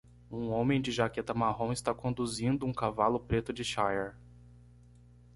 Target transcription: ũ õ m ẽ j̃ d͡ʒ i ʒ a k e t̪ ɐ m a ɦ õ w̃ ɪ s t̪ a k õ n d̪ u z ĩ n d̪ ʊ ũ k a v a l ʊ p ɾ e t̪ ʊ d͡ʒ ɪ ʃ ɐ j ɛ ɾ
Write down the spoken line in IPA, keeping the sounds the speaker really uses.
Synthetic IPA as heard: ũ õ m ẽ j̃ d͡ʒ ɪ ʒ a k e t̪ ɐ m a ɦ õ w̃ ɪ s t̪ a k õ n d̪ u z ĩ n d̪ ʊ ũ k a v a l ʊ p ɾ e t̪ ʊ d͡ʒ ɪ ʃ a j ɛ ɾ